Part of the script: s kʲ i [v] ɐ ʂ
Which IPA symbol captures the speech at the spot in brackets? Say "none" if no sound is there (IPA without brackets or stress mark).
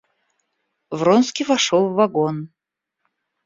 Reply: v